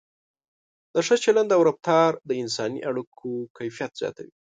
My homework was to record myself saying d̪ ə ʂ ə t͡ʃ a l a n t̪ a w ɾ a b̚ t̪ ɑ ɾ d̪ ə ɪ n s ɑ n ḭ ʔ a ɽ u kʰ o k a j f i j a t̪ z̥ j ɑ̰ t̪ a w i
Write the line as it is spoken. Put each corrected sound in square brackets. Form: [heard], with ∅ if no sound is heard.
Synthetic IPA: d̪ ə ʂ ə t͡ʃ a l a n [d̪] a w ɾ a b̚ t̪ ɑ ɾ d̪ ə ɪ n s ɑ n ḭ ʔ a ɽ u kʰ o k a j f i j a t̪ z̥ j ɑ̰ t̪ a w i